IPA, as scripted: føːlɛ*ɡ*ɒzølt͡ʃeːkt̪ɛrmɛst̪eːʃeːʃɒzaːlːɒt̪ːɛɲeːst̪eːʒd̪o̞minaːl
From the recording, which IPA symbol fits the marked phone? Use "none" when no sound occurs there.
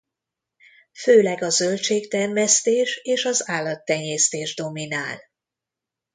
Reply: ɡ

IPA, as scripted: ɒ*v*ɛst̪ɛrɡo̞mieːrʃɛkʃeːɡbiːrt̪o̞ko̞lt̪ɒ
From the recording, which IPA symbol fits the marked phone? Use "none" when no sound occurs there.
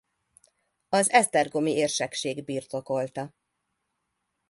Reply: z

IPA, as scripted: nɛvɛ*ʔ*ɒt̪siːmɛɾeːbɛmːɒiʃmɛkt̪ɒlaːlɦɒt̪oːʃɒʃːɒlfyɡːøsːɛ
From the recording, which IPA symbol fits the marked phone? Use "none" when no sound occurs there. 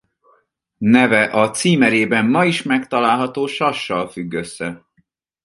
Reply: ʔ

